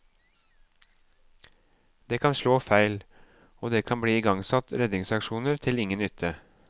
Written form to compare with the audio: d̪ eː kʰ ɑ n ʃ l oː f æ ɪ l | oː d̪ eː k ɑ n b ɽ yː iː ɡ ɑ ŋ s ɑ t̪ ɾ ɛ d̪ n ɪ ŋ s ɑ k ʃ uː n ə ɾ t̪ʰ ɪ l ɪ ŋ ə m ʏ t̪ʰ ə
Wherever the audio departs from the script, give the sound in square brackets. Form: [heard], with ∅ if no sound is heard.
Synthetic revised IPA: d̪ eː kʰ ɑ n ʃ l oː f æ ɪ l | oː d̪ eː [kʰ] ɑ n b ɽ [iː] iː ɡ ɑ ŋ s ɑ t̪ ɾ ɛ d̪ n ɪ ŋ s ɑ k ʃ uː n ə ɾ t̪ʰ ɪ l ɪ ŋ ə [n] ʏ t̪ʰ ə

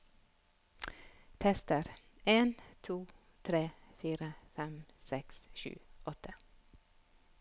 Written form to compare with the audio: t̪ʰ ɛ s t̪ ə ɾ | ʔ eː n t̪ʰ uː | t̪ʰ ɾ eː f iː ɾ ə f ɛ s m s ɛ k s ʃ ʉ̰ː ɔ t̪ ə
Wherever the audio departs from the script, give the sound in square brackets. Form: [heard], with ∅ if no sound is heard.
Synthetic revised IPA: t̪ʰ ɛ s t̪ ə ɾ | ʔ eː n t̪ʰ uː | t̪ʰ ɾ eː f iː ɾ ə f ɛ [∅] m s ɛ k s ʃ ʉ̰ː ɔ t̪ ə

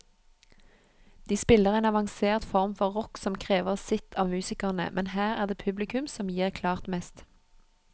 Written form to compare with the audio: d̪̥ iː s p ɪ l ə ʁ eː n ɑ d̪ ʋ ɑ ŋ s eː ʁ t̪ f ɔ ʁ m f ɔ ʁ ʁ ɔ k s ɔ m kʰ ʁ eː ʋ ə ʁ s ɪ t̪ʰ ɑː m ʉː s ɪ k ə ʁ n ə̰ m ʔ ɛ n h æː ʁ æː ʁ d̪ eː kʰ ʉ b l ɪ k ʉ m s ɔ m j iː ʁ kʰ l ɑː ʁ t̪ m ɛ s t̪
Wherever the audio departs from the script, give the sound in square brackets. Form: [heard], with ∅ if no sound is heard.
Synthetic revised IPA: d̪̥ iː s p ɪ l ə ʁ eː n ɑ [∅] ʋ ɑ ŋ s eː ʁ t̪ f ɔ ʁ m f ɔ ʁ ʁ ɔ k s ɔ m kʰ ʁ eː ʋ ə ʁ s ɪ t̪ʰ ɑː m ʉː s ɪ k ə ʁ n ə̰ m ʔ ɛ n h æː ʁ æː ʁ d̪ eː [pʰ] ʉ b l ɪ k ʉ m s ɔ m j iː ʁ kʰ l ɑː ʁ t̪ m ɛ s t̪

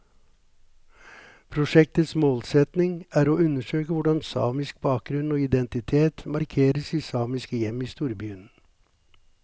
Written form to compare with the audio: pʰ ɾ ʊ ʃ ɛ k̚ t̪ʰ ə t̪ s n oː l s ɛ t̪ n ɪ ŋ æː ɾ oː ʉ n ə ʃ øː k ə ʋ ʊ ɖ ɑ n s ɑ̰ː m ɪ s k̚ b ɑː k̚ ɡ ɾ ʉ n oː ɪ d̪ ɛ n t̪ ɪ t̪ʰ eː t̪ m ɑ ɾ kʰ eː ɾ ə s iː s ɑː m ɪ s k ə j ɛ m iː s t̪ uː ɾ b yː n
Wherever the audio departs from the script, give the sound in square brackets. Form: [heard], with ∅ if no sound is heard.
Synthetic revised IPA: pʰ ɾ ʊ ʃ ɛ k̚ [t̪] ə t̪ s [m] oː l s ɛ t̪ n ɪ ŋ æː ɾ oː ʉ n ə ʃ øː k ə ʋ ʊ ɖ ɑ n s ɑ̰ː m ɪ s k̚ b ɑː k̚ ɡ ɾ ʉ n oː ɪ d̪ ɛ n t̪ ɪ t̪ʰ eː t̪ m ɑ ɾ kʰ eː ɾ ə s iː s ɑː m ɪ s k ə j ɛ m iː s t̪ uː ɾ b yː n

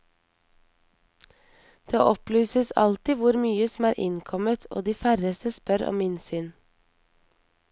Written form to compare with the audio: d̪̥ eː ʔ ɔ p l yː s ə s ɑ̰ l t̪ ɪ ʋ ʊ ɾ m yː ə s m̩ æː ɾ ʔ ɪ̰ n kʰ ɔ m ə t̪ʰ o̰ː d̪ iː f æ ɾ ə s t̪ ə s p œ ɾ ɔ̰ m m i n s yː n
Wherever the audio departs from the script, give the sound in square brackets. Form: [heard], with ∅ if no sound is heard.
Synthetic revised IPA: d̪̥ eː ʔ ɔ p l yː s ə s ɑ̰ l t̪ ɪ ʋ ʊ ɾ m yː ə s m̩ æː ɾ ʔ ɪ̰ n kʰ ɔ m ə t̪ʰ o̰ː d̪ iː f æ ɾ ə s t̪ ə s p œ ɾ ɔ̰ m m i n s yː n

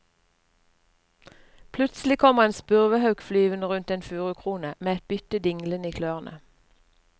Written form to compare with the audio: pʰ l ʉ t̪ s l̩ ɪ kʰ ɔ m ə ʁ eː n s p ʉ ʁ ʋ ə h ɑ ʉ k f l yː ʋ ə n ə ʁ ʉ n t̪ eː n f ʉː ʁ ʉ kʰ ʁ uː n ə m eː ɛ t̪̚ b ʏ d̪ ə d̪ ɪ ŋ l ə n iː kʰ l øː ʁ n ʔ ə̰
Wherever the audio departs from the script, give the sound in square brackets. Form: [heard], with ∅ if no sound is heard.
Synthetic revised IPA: pʰ l ʉ t̪ s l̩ ɪ kʰ ɔ m ə ʁ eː n s p ʉ ʁ ʋ ə h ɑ ʉ k f l yː ʋ ə n ə ʁ ʉ n t̪ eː n f ʉː ʁ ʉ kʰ ʁ uː n ə m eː ɛ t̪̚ b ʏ [t̪] ə d̪ ɪ ŋ l ə n iː kʰ l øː ʁ n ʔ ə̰

